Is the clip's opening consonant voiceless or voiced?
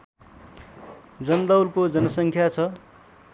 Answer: voiced